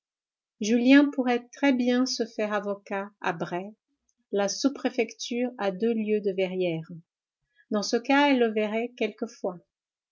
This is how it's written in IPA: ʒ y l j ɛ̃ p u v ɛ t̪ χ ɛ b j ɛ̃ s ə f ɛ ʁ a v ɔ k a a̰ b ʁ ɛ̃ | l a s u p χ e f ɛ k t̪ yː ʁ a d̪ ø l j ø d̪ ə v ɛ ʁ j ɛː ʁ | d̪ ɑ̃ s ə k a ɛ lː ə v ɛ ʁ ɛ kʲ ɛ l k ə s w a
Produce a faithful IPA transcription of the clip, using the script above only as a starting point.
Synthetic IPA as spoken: ʒ y l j ɛ̃ p u ʁ ɛ t̪ χ ɛ b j ɛ̃ s ə f ɛ ʁ a v ɔ k a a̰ b ʁ ɛ | l a s u p χ e f ɛ k t̪ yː ʁ a d̪ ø l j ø d̪ ə v ɛ ʁ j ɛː ʁ | d̪ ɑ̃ s ə k a ɛ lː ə v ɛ ʁ ɛ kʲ ɛ l k ə f w a